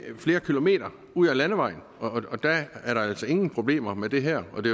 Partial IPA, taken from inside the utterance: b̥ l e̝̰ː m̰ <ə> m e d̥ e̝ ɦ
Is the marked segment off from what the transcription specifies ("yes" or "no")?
yes